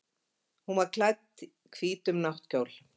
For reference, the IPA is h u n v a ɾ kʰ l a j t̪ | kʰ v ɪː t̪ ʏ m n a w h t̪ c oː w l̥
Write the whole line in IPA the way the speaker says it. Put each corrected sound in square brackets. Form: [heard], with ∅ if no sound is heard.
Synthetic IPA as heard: h u n v a ɾ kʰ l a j t̪ | kʰ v [iː] t̪ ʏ m n a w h t̪ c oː w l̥